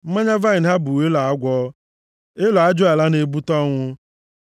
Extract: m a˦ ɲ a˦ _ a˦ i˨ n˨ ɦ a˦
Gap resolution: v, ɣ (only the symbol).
v